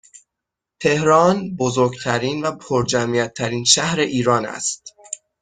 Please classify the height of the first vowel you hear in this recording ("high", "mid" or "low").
mid